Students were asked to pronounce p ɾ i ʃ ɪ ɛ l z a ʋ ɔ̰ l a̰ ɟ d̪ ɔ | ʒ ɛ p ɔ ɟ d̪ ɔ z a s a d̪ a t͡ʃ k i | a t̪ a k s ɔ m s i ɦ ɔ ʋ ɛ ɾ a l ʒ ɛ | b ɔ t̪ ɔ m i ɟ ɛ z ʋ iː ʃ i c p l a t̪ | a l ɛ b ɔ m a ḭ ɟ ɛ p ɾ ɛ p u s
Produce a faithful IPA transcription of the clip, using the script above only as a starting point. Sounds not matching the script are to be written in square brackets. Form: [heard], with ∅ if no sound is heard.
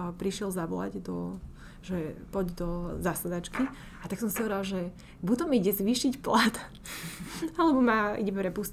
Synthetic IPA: p ɾ i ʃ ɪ ɛ l z a ʋ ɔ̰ l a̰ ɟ d̪ ɔ | ʒ ɛ p ɔ ɟ d̪ ɔ z a s a d̪ a t͡ʃ k i | a t̪ a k s ɔ m s i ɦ ɔ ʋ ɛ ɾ a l ʒ ɛ | b [u] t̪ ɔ m i ɟ ɛ z ʋ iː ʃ i c p l a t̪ | a l ɛ b ɔ m a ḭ ɟ ɛ p ɾ ɛ p u s